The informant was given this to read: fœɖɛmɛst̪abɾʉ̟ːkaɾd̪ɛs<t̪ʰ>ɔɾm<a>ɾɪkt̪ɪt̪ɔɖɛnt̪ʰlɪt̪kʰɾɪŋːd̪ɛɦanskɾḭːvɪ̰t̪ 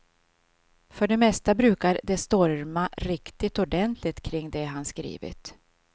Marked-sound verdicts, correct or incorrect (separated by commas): incorrect, correct